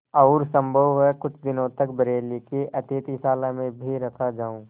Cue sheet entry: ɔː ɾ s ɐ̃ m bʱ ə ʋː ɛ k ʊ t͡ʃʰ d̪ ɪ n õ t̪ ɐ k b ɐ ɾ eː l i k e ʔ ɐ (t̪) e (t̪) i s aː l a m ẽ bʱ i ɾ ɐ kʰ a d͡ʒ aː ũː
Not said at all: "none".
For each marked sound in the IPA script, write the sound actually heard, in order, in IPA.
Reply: t̪, t̪

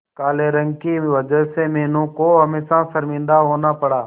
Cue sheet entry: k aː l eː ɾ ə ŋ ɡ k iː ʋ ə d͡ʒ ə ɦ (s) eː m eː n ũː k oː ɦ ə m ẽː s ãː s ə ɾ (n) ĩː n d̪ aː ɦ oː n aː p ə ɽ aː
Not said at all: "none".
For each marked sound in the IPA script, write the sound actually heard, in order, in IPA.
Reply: s, m

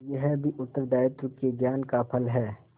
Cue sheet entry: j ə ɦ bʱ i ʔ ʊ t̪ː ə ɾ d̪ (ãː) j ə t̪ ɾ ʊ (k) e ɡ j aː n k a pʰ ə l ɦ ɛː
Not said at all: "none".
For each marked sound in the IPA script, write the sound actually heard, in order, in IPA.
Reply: aː, k

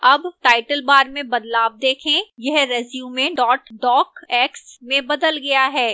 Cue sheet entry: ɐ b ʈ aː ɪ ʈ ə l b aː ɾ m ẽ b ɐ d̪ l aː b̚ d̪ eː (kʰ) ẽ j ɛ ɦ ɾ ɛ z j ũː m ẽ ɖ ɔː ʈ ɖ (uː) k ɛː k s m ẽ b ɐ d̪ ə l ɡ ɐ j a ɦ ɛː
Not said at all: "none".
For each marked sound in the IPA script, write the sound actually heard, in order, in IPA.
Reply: kʰ, ɔː

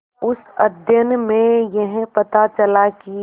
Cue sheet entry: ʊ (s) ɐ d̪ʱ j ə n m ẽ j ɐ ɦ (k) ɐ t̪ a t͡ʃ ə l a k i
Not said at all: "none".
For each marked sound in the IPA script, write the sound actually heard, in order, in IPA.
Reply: s, p

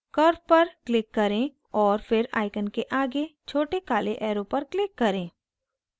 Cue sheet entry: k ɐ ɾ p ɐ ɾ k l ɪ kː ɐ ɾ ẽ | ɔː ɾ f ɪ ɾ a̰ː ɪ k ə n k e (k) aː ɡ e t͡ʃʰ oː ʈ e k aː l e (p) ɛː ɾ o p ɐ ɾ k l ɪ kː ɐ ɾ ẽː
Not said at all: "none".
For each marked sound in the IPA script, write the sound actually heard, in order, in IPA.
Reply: ʔ, ʔ

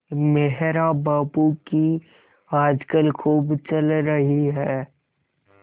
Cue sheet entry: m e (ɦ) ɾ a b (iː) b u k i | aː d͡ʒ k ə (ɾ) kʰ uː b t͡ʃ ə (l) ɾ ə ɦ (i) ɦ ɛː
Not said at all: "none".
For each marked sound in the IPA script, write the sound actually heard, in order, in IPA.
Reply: ɦ, aː, l, l, i

